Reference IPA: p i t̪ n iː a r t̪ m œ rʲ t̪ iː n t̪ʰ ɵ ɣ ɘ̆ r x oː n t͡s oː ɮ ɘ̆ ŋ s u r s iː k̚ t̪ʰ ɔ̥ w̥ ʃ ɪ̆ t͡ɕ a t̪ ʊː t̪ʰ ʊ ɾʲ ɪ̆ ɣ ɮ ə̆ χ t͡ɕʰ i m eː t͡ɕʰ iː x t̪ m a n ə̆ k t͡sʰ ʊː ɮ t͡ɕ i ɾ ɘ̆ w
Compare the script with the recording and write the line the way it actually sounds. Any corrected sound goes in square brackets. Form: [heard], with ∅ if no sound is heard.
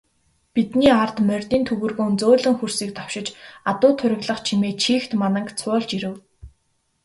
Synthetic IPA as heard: p i t̪ n iː a r t̪ m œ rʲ t̪ iː n t̪ʰ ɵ ɣ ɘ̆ r [ɣ] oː n t͡s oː ɮ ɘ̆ ŋ [x] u r s iː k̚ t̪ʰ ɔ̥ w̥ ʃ ɪ̆ t͡ɕ a t̪ ʊː t̪ʰ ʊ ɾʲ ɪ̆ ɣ ɮ ə̆ χ t͡ɕʰ i m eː t͡ɕʰ iː x t̪ m a n ə̆ k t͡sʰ ʊː ɮ t͡ɕ i ɾ ɘ̆ w

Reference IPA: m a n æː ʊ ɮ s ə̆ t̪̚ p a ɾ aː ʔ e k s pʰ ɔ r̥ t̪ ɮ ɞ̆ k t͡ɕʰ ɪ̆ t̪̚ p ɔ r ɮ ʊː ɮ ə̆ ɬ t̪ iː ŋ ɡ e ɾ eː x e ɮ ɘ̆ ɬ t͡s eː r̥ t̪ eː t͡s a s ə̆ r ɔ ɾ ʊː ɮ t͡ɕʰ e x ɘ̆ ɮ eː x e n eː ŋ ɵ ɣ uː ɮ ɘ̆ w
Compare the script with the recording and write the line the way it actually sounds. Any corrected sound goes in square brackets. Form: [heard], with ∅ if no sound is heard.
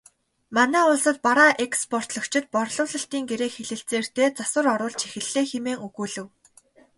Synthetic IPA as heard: m a n æː ʊ ɮ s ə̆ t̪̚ p a ɾ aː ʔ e k s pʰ ɔ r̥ t̪ ɮ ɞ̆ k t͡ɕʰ ɪ̆ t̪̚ p ɔ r ɮ ʊː ɮ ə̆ ɬ t̪ iː ŋ ɡ e ɾ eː x e ɮ ɘ̆ ɬ t͡s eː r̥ t̪ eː t͡s a s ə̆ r ɔ ɾ ʊː ɮ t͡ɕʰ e x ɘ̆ ɮ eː x e [m] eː ŋ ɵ ɣ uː ɮ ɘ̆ w

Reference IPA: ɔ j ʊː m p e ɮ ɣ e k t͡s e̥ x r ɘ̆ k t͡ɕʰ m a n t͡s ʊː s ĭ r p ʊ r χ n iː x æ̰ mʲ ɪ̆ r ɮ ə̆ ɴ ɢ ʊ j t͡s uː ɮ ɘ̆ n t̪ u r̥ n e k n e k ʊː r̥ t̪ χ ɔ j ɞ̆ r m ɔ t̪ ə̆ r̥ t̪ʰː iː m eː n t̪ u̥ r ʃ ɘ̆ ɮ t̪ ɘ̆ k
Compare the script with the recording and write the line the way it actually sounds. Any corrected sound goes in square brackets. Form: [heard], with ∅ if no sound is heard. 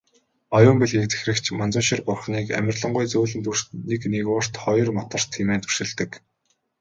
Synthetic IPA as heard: ɔ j ʊː m p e ɮ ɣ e k t͡s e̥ x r ɘ̆ k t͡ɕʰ m a n t͡s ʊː [ʃ] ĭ r p ʊ r χ n iː [k] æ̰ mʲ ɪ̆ r ɮ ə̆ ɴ ɢ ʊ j t͡s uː ɮ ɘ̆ n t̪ u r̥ n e k n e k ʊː r̥ t̪ χ ɔ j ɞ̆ r m ɔ t̪ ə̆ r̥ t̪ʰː iː m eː n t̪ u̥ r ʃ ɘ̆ ɮ t̪ ɘ̆ k

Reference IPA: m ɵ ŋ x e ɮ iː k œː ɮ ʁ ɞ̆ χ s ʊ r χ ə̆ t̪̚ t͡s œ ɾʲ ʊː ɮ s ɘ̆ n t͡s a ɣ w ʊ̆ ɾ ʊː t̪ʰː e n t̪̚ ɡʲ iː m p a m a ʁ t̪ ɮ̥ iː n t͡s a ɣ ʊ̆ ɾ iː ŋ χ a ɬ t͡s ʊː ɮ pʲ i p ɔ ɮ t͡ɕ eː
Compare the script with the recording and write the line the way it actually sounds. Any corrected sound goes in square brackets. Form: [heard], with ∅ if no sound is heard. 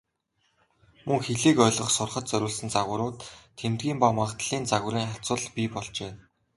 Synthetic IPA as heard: m ɵ ŋ x e ɮ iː k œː ɮ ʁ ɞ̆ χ s ʊ r χ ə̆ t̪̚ t͡s œ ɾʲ ʊː ɮ s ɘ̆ n t͡s a ɣ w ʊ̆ ɾ ʊː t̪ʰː e [m] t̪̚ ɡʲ iː m p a m a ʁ t̪ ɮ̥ iː n t͡s a ɣ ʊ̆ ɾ iː ŋ χ a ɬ t͡s ʊː ɮ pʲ i p ɔ ɮ t͡ɕ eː

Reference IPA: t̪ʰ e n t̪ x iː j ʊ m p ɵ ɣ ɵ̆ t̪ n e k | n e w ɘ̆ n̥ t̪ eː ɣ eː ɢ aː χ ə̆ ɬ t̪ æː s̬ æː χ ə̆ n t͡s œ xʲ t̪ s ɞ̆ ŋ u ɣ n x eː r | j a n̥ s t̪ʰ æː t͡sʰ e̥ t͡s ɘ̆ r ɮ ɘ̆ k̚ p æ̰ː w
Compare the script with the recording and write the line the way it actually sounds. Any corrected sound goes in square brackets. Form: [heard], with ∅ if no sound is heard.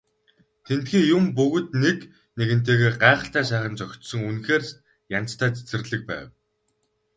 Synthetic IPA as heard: t̪ʰ e n t̪ x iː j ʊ m p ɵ ɣ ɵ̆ t̪ n e k | n e [ɣ] ɘ̆ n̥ t̪ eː ɣ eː ɢ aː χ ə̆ ɬ t̪ æː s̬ æː χ ə̆ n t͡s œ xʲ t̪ s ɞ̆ ŋ u [∅] n x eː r | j a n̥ [t͡s] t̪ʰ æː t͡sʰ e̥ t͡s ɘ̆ r ɮ ɘ̆ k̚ p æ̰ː w

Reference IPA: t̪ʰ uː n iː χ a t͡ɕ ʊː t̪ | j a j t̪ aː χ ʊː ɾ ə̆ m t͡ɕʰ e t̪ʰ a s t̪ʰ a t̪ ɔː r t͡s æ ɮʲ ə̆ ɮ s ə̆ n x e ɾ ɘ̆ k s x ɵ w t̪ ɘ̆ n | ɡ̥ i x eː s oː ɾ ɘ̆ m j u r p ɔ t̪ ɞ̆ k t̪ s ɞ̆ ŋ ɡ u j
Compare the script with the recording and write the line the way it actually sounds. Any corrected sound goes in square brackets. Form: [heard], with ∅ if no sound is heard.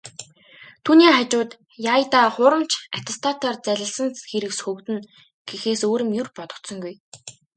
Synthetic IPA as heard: t̪ʰ uː n iː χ a t͡ɕ ʊː t̪ | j a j t̪ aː χ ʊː ɾ ə̆ m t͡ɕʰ [a] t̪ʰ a s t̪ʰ a t̪ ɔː r t͡s æ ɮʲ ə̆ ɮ s ə̆ n x e ɾ ɘ̆ k s x ɵ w t̪ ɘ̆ n | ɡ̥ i x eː s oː ɾ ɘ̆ m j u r p ɔ t̪ ɞ̆ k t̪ s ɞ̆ ŋ ɡ u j

